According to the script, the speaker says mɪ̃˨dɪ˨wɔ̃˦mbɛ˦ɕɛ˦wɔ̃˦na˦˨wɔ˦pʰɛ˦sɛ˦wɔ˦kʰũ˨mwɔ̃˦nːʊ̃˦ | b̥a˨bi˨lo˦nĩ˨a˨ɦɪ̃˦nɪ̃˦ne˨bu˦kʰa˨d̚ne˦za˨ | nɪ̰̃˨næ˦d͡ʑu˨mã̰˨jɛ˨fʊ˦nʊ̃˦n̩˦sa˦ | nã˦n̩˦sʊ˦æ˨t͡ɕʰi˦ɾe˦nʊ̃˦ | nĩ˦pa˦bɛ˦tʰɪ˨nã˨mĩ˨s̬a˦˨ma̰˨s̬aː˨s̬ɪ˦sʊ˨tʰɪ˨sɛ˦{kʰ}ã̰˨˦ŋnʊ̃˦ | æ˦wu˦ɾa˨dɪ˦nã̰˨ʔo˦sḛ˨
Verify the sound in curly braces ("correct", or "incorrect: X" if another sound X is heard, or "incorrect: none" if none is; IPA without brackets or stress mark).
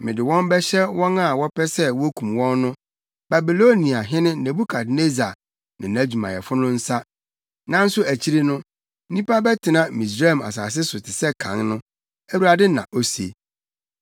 correct